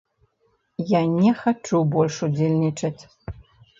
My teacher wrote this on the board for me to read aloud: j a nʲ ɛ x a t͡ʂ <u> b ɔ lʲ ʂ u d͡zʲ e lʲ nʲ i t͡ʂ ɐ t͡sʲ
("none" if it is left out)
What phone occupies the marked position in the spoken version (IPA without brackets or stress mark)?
u